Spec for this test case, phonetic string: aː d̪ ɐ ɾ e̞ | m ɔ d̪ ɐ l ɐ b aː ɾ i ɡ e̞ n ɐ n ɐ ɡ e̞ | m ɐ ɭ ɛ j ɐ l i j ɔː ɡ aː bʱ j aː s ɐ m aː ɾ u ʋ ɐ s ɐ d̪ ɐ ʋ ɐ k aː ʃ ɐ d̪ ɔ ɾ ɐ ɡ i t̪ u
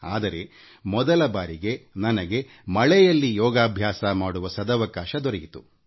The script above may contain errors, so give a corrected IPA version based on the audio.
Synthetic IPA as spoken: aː d̪ ɐ ɾ e̞ | m ɔ d̪ ɐ l ɐ b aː ɾ i ɡ e̞ n ɐ n ɐ ɡ e̞ | m ɐ ɭ ɛ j ɐ lː i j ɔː ɡ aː bʱ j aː s ɐ m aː ɽ u ʋ ɐ s ɐ d̪ ɐ ʋ ɐ k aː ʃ ɐ d̪ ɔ ɾ ɐ ɡ i t̪ u